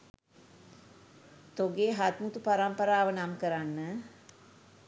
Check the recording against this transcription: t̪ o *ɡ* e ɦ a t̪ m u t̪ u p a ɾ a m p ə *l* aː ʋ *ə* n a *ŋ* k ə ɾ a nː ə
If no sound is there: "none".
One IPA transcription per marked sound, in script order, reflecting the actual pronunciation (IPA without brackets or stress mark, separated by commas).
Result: ɡ, ɾ, ə, m